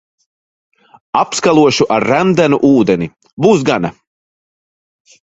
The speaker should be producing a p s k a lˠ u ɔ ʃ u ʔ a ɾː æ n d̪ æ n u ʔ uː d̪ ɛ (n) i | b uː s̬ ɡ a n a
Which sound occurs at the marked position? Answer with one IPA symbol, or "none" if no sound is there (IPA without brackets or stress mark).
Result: n